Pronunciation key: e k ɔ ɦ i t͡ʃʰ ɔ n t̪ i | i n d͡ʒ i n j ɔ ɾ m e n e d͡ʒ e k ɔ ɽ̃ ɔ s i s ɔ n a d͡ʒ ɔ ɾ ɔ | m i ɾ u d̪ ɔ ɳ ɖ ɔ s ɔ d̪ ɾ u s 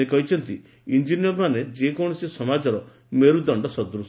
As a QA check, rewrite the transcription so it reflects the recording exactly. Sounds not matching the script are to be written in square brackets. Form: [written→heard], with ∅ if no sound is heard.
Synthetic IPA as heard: e k ɔ ɦ i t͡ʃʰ ɔ n t̪ i | i n d͡ʒ i n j ɔ ɾ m [e→a] n e d͡ʒ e k ɔ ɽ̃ ɔ s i s ɔ [n→m] a d͡ʒ ɔ ɾ ɔ | m [i→e] ɾ u d̪ ɔ ɳ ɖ ɔ s ɔ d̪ ɾ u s